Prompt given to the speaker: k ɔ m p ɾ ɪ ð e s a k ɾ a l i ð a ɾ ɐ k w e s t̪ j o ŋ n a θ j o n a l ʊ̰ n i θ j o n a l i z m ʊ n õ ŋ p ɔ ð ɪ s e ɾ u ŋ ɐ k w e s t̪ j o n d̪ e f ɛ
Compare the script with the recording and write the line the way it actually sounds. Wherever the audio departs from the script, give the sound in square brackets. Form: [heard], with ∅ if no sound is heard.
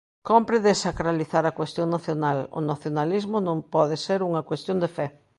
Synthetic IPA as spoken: k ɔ m p ɾ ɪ ð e s a k ɾ a l i [θ] a ɾ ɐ k w e s t̪ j o ŋ n a θ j o n a l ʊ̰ n [a] θ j o n a l i z m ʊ n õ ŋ p ɔ ð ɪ s e ɾ u ŋ ɐ k w e s t̪ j o n d̪ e f ɛ